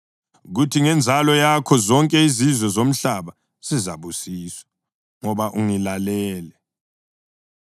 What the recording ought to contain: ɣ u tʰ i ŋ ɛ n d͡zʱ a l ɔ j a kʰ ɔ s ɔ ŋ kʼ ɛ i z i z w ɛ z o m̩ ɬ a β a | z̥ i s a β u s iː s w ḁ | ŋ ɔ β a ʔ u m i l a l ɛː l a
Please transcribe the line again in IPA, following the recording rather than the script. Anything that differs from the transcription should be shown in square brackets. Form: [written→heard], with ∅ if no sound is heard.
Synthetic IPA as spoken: ɣ u tʰ i ŋ ɛ n d͡zʱ a l ɔ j a kʰ ɔ [s→z] ɔ ŋ kʼ ɛ i z i z w ɛ z o m̩ ɬ a β a | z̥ i [s→z] a β u s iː s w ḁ | ŋ ɔ β a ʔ u [m→ŋ] i l a l ɛː l [a→ɛ]

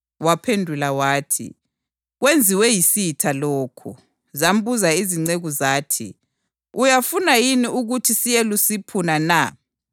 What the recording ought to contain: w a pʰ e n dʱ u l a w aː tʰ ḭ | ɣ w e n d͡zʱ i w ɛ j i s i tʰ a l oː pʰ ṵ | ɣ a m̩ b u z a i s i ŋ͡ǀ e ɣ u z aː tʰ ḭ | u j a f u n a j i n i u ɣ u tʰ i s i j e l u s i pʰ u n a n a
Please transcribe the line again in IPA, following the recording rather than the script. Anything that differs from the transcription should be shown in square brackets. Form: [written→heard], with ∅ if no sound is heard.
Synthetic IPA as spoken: w a pʰ e n dʱ u l a w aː tʰ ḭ | ɣ w e n d͡zʱ i w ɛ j i s i tʰ a l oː [pʰ→kʰ] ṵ | [ɣ→z] a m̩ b u z a i [s→z] i ŋ͡ǀ e ɣ u z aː tʰ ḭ | u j a f u n a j i n i u ɣ u tʰ i s i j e l u s i pʰ u n a n a

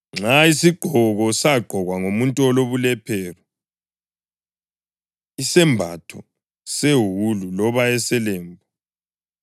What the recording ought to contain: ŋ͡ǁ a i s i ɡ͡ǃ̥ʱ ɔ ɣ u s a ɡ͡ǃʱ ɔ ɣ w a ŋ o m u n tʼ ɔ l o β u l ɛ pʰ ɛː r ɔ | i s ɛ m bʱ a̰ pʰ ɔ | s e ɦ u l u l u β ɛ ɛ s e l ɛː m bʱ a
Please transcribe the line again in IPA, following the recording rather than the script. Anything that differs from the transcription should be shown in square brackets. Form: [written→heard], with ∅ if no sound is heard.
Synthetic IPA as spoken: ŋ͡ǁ a i s i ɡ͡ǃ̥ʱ ɔ ɣ [u→ɔ] s a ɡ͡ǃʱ ɔ ɣ w a ŋ o m u n tʼ ɔ l o β u l ɛ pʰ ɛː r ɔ | i s ɛ m bʱ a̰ [pʰ→tʰ] ɔ | s e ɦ u l u l [u→ɔ] β [ɛ→a] ɛ s [e→ɛ] l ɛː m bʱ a

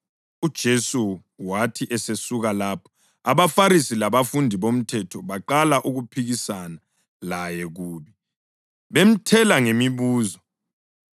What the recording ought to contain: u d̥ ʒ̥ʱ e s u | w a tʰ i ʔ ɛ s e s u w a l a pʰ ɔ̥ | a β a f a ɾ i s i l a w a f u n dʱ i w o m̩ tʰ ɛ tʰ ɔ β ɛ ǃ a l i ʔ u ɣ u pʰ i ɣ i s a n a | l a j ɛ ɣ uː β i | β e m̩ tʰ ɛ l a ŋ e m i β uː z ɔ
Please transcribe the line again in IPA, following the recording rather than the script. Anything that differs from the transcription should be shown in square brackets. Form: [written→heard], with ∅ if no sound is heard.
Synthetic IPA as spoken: u d̥ ʒ̥ʱ e s u | w a tʰ i ʔ ɛ s e s u [w→ɣ] a l a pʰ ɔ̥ | a β a f a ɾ i s i l a [w→β] a f u n dʱ i [w→β] o m̩ tʰ ɛ tʰ ɔ β [ɛ→a] ǃ a l [i→a] ʔ u ɣ u pʰ i ɣ i s a n a | l a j ɛ ɣ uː β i | β e m̩ tʰ ɛ l a ŋ e m i β uː z ɔ

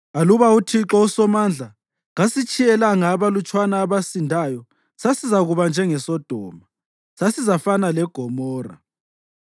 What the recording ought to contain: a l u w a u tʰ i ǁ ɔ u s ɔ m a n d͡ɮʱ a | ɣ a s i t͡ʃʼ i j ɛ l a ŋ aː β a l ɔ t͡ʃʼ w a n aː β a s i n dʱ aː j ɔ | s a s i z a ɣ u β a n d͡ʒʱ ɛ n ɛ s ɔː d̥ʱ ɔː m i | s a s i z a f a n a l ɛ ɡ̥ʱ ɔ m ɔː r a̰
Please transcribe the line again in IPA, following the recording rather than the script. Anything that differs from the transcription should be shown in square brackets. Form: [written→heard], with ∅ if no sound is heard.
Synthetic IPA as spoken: a l u [w→β] a u tʰ i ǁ ɔ u s ɔ m a n d͡ɮʱ a | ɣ a s i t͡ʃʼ i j ɛ l a ŋ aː β a l [ɔ→u] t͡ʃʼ w a n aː β a s i n dʱ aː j ɔ | s a s i z a ɣ u β a n d͡ʒʱ ɛ [n→ŋ] ɛ s [ɔː→ɔ] d̥ʱ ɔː m [i→a] | s a s i z a f a n a l ɛ ɡ̥ʱ ɔ m ɔː r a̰

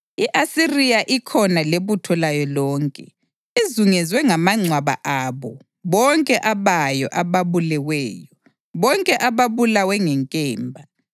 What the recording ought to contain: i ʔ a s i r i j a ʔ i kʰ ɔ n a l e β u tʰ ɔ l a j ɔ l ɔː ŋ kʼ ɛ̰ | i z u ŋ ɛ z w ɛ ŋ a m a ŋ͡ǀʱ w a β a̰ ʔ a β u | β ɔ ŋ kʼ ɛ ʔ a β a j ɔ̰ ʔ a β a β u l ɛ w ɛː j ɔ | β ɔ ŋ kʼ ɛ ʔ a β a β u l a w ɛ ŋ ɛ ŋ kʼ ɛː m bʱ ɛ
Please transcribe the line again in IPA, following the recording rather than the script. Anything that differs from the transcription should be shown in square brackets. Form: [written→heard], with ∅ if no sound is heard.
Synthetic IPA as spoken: i ʔ a s i r i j a ʔ i kʰ ɔ n a l e β u tʰ ɔ l a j ɔ l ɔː ŋ kʼ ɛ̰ | i z u ŋ ɛ z w ɛ ŋ a m a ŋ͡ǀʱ w a β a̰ ʔ a β [u→ɔ] | β ɔ ŋ kʼ ɛ ʔ a β a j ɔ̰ ʔ a β a β u l ɛ w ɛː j ɔ | β ɔ ŋ kʼ ɛ ʔ a β a β u l a w ɛ ŋ ɛ ŋ kʼ ɛː m bʱ [ɛ→a]

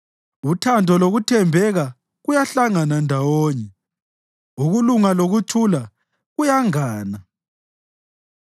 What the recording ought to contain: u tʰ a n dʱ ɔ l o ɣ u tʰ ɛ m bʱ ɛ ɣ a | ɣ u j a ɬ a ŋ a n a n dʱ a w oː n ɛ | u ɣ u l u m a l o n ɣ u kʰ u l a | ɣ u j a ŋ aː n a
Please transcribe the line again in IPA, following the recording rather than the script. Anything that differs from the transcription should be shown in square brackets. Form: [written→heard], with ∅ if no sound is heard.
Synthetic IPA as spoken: u tʰ a n dʱ ɔ l o ɣ u tʰ ɛ m bʱ ɛ ɣ a | ɣ u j a ɬ a ŋ a n a n dʱ a w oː [n→ɲ] ɛ | u ɣ u l u [m→ŋ] a l o [n→∅] ɣ u [kʰ→tʰ] u l a | ɣ u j a ŋ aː n a

